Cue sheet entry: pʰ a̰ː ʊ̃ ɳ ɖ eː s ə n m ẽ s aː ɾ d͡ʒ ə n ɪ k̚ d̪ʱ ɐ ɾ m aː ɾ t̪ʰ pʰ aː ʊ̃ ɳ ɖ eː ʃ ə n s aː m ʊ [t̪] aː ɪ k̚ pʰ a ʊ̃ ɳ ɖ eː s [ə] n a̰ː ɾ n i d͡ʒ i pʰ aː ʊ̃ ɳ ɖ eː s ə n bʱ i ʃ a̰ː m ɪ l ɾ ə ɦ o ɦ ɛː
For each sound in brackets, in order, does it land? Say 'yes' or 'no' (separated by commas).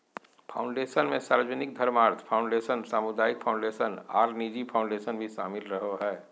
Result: no, yes